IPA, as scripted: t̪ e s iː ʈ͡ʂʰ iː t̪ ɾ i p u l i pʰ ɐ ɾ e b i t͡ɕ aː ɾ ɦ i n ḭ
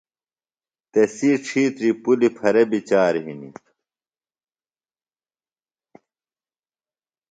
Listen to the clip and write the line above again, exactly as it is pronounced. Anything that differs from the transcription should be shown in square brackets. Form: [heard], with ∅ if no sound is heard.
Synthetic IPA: t̪ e s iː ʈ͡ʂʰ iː t̪ ɾ i p u l i pʰ ɐ ɾ e b i t͡ɕ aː ɾ ɦ i n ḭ

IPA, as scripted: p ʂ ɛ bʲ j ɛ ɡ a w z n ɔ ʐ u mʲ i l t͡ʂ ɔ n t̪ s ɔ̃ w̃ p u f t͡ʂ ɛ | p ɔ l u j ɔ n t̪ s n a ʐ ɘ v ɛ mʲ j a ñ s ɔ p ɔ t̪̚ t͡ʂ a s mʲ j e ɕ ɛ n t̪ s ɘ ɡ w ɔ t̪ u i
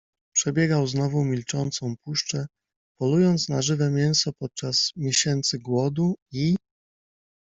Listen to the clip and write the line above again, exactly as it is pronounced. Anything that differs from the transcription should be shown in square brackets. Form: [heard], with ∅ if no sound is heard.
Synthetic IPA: p ʂ ɛ bʲ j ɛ ɡ a w z n ɔ [v] u mʲ i l t͡ʂ ɔ n t̪ s ɔ̃ w̃ p u [ʂ] t͡ʂ ɛ | p ɔ l u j ɔ n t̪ s n a ʐ ɘ v ɛ mʲ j [ɛ] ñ s ɔ p ɔ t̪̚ t͡ʂ a s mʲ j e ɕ ɛ n t̪ s ɘ ɡ w ɔ [d̪] u i

